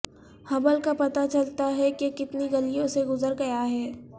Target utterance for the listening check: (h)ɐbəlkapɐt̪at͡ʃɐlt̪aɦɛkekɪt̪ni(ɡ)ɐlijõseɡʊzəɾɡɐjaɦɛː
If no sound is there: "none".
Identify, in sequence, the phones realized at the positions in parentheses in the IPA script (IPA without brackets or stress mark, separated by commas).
h, ɡ